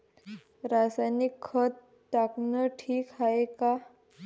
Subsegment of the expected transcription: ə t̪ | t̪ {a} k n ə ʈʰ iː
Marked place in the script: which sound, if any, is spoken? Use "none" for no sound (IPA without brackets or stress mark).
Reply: a